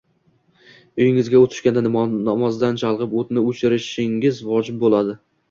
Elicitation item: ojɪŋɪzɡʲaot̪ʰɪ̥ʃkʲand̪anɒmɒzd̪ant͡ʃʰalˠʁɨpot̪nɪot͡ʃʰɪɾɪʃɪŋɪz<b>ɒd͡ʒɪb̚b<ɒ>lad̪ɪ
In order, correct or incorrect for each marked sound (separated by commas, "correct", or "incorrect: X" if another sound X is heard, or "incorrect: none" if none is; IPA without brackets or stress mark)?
incorrect: v, incorrect: o